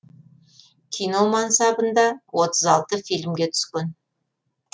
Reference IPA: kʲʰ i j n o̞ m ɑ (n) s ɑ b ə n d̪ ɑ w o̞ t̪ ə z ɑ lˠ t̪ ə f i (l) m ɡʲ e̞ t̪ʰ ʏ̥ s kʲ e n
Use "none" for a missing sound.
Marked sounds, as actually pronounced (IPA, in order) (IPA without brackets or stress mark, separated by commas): n, l